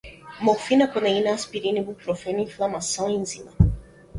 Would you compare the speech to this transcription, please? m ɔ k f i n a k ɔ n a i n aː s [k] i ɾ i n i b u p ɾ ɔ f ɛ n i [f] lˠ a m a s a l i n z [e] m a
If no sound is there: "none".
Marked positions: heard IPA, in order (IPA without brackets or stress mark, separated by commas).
p, f, i